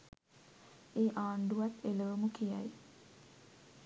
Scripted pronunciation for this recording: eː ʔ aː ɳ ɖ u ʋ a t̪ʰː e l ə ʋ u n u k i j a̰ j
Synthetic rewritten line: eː ʔ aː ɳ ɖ u ʋ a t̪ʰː e l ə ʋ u m u k i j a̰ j